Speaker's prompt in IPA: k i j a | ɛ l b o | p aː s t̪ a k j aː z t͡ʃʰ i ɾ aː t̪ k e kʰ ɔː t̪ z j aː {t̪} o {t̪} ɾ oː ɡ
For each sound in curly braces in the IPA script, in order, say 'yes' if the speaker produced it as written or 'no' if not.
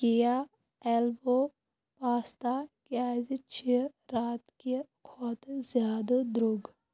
no, no

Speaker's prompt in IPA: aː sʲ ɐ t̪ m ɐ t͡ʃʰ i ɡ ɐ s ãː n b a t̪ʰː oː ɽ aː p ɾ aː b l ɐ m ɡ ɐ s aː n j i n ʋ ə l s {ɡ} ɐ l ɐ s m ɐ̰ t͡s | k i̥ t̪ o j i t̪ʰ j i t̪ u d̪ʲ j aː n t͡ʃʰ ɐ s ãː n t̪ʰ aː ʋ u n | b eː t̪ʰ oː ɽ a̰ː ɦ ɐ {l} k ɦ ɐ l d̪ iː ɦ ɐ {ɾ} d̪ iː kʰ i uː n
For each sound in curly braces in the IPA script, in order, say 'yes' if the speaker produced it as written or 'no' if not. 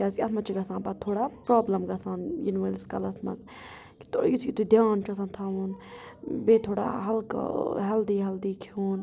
no, yes, no

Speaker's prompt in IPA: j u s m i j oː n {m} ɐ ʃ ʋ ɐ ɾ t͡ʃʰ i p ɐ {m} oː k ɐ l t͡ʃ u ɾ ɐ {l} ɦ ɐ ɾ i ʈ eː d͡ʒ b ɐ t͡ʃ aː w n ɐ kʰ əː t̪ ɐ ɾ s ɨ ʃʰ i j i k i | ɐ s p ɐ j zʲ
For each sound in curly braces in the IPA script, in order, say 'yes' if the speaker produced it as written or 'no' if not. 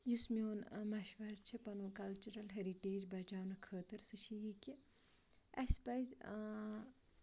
yes, no, yes

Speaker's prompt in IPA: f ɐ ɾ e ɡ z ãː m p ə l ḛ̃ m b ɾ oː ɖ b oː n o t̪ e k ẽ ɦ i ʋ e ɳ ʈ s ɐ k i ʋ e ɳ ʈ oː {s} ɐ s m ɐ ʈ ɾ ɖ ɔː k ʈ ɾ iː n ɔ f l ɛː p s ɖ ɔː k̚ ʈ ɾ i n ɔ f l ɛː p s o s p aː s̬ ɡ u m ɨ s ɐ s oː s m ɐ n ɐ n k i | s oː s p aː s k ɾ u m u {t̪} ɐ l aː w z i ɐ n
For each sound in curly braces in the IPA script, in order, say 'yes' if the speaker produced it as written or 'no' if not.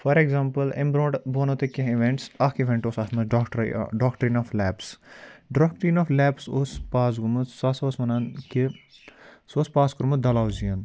yes, no

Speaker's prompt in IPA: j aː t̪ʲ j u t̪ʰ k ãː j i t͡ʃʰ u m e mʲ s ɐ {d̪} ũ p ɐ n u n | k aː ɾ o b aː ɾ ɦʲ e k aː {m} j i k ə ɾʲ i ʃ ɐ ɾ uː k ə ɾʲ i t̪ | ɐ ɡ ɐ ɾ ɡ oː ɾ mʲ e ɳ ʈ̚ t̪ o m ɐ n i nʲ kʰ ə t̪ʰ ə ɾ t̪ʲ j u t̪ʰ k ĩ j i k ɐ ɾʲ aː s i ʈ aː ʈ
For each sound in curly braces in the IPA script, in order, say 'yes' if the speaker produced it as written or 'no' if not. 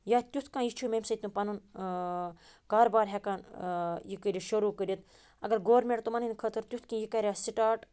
no, no

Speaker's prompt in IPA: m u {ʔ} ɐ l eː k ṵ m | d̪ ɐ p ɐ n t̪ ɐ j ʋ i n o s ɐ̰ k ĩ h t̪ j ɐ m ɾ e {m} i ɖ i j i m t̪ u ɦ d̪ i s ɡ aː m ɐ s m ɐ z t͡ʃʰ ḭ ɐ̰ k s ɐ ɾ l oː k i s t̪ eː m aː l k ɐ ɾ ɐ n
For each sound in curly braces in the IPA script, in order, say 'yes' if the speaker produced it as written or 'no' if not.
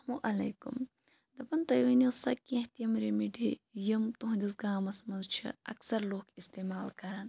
yes, yes

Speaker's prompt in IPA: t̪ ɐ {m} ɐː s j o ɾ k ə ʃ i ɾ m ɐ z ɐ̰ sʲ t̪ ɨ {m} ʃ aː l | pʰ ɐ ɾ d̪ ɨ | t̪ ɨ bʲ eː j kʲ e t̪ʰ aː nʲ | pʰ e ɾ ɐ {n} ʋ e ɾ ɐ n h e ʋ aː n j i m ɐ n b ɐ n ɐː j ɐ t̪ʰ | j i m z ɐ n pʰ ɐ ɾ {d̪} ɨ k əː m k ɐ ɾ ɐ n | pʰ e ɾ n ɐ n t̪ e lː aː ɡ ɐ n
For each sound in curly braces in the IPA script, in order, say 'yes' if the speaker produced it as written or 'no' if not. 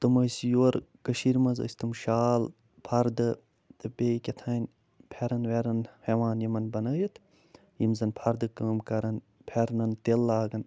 yes, yes, yes, yes

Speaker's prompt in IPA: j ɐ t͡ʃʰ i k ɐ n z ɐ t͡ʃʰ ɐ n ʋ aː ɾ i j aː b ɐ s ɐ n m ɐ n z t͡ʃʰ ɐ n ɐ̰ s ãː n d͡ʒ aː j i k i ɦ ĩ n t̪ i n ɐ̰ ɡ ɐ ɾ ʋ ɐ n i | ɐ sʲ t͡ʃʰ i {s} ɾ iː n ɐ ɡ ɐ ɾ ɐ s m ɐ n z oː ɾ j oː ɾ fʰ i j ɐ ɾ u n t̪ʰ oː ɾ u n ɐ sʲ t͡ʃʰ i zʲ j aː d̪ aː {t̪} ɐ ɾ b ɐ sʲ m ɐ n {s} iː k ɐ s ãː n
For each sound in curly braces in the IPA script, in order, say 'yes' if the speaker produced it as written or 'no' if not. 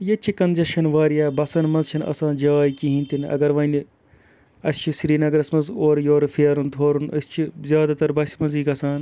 yes, yes, no

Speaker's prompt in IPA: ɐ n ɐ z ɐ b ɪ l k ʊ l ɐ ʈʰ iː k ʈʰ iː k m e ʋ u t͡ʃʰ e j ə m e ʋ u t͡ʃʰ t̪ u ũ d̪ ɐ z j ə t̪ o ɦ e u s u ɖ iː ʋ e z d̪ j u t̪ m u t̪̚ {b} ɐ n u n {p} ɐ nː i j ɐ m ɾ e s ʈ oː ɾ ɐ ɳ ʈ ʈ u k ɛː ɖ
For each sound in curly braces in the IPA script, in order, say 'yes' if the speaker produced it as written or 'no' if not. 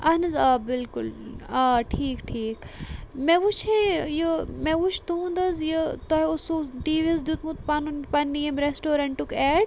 no, yes

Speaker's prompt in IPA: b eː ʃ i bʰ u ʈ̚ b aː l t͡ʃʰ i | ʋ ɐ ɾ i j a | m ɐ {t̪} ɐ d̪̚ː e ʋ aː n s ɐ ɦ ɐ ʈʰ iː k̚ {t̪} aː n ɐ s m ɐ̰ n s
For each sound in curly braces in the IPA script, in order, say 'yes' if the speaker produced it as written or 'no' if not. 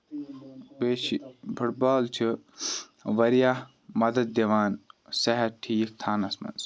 no, no

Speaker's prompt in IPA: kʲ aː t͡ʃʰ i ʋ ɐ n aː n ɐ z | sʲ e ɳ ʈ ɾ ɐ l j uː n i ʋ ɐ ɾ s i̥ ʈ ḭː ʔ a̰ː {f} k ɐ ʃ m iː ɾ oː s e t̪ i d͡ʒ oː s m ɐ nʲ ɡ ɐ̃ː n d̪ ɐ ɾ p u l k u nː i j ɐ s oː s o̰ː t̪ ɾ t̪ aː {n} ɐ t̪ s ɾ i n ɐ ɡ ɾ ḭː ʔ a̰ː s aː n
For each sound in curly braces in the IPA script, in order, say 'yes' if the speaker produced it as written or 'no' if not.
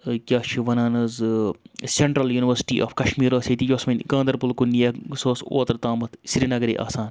yes, no

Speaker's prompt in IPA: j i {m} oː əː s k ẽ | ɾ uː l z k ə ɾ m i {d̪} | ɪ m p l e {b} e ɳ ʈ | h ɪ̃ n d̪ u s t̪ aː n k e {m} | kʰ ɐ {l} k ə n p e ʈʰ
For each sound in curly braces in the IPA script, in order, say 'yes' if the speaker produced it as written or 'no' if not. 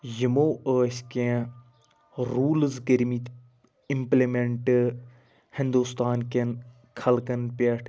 yes, no, no, no, yes

